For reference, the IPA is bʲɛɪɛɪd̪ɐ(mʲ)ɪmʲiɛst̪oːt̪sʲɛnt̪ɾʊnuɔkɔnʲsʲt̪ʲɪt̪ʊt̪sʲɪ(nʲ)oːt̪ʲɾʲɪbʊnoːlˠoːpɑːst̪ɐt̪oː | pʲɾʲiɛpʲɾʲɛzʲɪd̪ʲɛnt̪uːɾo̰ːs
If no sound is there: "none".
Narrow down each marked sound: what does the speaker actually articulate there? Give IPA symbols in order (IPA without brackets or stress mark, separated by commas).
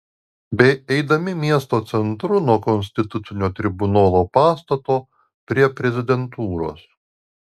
mʲ, nʲ